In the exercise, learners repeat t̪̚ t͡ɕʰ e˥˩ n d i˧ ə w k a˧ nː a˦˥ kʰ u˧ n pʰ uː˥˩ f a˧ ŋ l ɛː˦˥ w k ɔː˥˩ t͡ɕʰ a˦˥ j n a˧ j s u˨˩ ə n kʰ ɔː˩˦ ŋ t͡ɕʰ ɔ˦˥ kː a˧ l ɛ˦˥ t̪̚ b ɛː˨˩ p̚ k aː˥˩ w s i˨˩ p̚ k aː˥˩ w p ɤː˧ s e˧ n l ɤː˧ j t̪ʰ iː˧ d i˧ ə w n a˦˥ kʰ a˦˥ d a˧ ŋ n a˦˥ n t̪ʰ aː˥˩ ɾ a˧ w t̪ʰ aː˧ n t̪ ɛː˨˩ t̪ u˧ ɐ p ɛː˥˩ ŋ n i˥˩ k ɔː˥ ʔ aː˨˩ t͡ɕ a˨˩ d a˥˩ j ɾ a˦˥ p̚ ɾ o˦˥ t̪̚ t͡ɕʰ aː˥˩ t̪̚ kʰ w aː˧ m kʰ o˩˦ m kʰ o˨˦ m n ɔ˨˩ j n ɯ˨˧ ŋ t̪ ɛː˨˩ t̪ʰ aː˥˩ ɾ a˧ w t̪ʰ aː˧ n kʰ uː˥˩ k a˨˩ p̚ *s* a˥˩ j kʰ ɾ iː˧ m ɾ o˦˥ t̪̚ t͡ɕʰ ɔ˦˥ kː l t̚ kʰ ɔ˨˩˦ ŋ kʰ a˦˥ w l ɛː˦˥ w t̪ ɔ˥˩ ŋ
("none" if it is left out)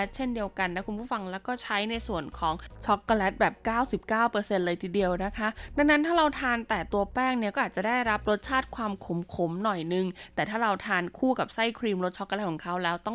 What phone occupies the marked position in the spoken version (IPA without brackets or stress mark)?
s